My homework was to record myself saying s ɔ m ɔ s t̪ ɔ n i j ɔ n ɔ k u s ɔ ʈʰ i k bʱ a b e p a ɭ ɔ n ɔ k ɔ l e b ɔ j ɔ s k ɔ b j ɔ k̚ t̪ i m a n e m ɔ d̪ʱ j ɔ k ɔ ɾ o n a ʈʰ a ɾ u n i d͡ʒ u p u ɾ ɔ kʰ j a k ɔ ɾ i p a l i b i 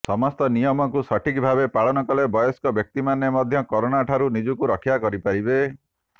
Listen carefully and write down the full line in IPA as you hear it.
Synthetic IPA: s ɔ m ɔ s t̪ ɔ n i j ɔ m ɔ k u s ɔ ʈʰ i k bʱ a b e p a ɭ ɔ n ɔ k ɔ l e b ɔ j ɔ s k ɔ b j ɔ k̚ t̪ i m a n e m ɔ d̪ʱ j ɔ k ɔ ɾ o n a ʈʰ a ɾ u n i d͡ʒ u k u ɾ ɔ kʰ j a k ɔ ɾ i p a ɾ i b e